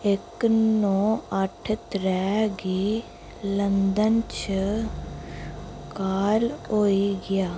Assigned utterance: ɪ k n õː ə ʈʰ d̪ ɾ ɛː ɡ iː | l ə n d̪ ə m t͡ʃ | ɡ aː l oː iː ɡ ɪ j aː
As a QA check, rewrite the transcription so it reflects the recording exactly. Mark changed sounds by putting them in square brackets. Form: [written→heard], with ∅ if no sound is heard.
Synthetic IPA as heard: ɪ k n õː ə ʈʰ [d̪→t̪] ɾ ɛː ɡ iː | l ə n d̪ ə [m→n] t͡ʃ | [ɡ→k] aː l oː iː ɡ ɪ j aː